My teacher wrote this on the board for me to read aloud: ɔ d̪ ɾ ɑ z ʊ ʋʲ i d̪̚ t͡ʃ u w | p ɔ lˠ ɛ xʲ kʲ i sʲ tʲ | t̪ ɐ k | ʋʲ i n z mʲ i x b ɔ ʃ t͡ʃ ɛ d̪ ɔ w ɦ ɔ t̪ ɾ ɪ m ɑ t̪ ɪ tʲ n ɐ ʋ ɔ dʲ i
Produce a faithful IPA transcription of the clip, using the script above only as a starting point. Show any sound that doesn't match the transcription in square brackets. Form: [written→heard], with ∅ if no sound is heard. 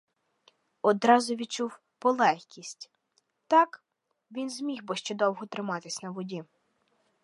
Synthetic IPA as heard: ɔ d̪ ɾ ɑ z ʊ ʋʲ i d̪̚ t͡ʃ u w | p ɔ lˠ ɛ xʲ kʲ i sʲ tʲ | t̪ [ɐ→ɑ] k | ʋʲ i n z mʲ i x b ɔ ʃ t͡ʃ ɛ d̪ ɔ w ɦ ɔ t̪ ɾ ɪ m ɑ t̪ ɪ [tʲ→sʲ] n ɐ ʋ ɔ dʲ i

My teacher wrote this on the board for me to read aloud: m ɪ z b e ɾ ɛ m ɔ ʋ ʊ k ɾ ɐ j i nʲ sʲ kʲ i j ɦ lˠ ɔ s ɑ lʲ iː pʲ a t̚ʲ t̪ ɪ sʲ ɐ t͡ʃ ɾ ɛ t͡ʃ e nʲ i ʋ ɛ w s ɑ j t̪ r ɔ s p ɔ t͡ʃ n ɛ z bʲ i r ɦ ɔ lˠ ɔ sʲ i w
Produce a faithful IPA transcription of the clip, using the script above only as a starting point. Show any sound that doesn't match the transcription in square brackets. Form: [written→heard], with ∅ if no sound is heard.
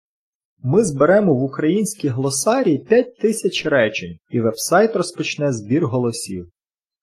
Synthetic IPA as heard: m ɪ z b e ɾ ɛ m ɔ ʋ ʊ k ɾ ɐ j i nʲ sʲ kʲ i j ɦ lˠ ɔ s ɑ [lʲ→ɾʲ] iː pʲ a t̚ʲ t̪ ɪ sʲ ɐ t͡ʃ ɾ ɛ t͡ʃ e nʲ i ʋ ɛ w s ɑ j t̪ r ɔ s p ɔ t͡ʃ n ɛ z bʲ i r ɦ ɔ lˠ ɔ sʲ i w

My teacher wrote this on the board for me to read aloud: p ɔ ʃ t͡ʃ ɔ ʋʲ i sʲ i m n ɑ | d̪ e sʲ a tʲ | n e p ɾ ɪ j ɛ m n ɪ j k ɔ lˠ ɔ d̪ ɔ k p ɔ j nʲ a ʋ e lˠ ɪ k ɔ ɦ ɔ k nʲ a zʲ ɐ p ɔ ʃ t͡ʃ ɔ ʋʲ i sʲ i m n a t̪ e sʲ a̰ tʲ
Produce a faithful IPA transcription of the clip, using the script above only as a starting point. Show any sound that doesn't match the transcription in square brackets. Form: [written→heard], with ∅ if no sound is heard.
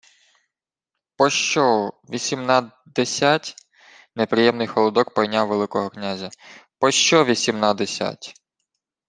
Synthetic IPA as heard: p ɔ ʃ t͡ʃ ɔ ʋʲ i sʲ i m n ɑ | d̪ e sʲ a tʲ | n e p ɾ ɪ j ɛ m n ɪ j [k→x] ɔ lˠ ɔ d̪ ɔ k p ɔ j nʲ a ʋ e lˠ ɪ k ɔ ɦ ɔ k nʲ a zʲ ɐ p ɔ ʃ t͡ʃ ɔ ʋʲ i sʲ i m n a [t̪→d̪] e sʲ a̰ tʲ

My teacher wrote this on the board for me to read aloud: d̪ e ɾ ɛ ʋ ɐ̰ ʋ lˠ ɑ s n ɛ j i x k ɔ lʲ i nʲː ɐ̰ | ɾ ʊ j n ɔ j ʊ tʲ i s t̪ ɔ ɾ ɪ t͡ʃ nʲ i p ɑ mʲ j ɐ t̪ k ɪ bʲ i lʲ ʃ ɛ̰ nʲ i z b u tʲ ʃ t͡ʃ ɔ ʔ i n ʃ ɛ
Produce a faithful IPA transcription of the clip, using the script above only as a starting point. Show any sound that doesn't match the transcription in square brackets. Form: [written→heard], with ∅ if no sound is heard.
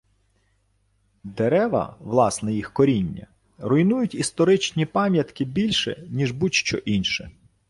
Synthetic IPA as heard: d̪ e ɾ ɛ ʋ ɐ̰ ʋ lˠ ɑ s n ɛ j i x k ɔ [lʲ→ɾʲ] i nʲː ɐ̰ | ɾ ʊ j n [ɔ→u] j ʊ tʲ i s t̪ ɔ ɾ ɪ t͡ʃ nʲ i p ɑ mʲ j ɐ t̪ k ɪ bʲ i lʲ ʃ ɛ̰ nʲ i [z→ʒ] b u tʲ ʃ t͡ʃ ɔ ʔ i n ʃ ɛ

